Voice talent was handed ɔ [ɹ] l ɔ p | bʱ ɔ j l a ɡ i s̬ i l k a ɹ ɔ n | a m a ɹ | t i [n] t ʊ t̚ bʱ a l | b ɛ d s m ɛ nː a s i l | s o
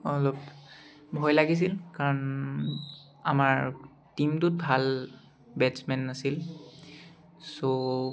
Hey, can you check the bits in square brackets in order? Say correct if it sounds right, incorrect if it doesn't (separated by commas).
incorrect, incorrect